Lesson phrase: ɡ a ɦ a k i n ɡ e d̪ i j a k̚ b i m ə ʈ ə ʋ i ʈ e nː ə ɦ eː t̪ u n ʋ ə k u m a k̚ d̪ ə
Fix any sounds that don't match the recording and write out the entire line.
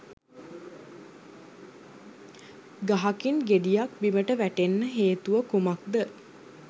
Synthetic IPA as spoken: ɡ a ɦ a k i n ɡ e d̪ i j a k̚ b i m ə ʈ ə ʋ æ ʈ e nː ə ɦ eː t̪ u ʋ ə k u m a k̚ d̪ ə